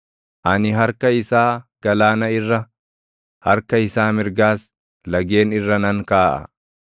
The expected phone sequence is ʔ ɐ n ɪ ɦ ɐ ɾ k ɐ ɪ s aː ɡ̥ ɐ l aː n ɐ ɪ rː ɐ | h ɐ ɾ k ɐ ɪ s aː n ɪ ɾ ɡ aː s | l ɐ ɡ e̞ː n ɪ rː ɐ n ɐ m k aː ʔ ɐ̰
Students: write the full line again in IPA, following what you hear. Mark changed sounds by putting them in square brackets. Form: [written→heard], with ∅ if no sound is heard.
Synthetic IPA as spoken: ʔ ɐ n ɪ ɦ ɐ ɾ k ɐ ɪ s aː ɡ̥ ɐ l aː n ɐ ɪ rː ɐ | h ɐ ɾ k ɐ ɪ s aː [n→m] ɪ ɾ ɡ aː s | l ɐ ɡ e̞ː n ɪ rː ɐ n ɐ [m→ŋ] k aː ʔ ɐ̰